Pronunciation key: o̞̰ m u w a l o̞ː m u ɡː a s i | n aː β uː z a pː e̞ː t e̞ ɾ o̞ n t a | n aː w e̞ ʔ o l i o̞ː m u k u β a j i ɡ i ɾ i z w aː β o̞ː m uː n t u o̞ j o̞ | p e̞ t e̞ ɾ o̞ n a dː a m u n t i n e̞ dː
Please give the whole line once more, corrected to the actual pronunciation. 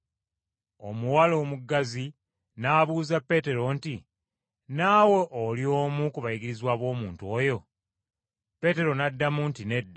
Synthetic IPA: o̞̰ m u w a l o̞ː m u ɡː a z i | n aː β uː z a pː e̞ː t e̞ ɾ o̞ n t i | n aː w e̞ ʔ o l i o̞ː m u k u β a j i ɡ i ɾ i z w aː β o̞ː m uː n t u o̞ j o̞ | p e̞ t e̞ ɾ o̞ n a dː a m u n t i n e̞ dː